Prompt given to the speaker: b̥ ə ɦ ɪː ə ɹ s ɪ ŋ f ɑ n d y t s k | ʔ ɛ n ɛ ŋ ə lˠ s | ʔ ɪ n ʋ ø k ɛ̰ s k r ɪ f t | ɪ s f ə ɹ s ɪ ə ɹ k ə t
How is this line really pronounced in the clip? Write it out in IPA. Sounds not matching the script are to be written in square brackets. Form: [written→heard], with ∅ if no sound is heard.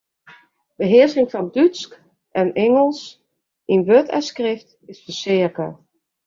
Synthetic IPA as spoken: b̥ ə ɦ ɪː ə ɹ s ɪ ŋ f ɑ n d y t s k | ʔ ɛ n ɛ ŋ ə lˠ s | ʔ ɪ n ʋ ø [k→t] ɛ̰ s k r ɪ f t | ɪ s f ə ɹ s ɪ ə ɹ k ə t